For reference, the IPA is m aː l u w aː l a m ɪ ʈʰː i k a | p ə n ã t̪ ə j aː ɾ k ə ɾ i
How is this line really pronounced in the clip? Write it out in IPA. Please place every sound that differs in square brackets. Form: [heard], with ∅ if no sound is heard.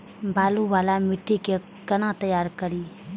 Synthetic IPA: [b] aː l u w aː l a m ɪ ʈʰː i k [e] | [k] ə n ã t̪ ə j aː ɾ k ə ɾ i